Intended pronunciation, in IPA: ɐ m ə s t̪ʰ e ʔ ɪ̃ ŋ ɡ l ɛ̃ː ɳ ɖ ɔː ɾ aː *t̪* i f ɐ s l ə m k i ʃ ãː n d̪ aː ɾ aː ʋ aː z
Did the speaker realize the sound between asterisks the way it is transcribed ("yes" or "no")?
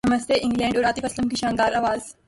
yes